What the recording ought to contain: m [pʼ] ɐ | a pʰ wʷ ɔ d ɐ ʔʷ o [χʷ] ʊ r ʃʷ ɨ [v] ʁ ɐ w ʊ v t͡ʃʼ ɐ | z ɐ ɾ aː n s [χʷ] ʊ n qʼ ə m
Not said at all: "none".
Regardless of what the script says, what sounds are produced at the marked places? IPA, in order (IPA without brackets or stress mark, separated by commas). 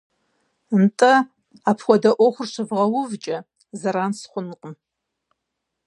tʼ, χʷ, v, χʷ